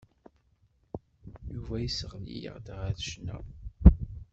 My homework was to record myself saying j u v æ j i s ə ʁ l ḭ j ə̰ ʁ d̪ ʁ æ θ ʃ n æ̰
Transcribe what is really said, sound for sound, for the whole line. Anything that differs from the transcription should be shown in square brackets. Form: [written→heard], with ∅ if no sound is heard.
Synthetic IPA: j u v æ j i s ə ʁ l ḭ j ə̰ ʁ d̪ ʁ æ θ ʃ n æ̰